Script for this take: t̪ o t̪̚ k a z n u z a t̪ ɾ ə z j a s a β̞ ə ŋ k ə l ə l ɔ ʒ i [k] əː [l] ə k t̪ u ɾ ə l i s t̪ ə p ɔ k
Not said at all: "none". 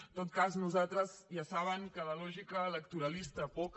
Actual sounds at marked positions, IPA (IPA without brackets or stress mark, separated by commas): k, l